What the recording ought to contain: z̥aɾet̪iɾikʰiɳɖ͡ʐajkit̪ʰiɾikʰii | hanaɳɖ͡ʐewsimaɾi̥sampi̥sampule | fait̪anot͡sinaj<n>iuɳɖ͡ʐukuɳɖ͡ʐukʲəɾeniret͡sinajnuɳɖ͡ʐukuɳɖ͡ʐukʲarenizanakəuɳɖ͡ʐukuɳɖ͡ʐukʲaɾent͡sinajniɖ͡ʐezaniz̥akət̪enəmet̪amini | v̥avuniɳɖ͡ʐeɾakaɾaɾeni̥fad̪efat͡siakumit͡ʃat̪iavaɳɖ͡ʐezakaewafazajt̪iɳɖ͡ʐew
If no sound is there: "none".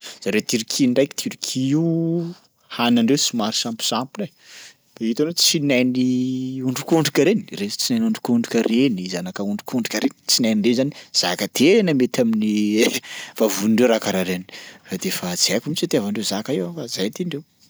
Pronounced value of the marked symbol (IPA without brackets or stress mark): n